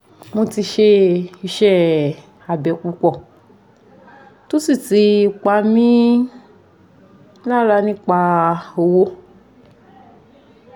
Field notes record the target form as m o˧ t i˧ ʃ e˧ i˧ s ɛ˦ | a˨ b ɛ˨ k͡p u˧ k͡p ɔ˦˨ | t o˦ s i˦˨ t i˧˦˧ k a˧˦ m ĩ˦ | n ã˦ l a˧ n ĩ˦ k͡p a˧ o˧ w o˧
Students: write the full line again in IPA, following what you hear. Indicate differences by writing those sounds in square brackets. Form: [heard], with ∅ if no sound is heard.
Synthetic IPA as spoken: m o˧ t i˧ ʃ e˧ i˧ [ʃ] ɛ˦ | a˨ b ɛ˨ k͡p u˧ k͡p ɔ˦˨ | t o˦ s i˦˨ t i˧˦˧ [k͡p] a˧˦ m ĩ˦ | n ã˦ l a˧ n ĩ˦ k͡p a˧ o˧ w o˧